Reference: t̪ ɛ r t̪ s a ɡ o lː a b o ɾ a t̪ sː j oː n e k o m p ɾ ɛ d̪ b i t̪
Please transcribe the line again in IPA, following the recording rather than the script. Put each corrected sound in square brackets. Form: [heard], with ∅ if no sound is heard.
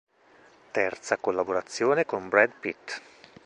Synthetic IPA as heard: t̪ ɛ r t̪ s a [k] o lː a b o ɾ a t̪ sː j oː n e k o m [b] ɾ ɛ d̪ [p] i t̪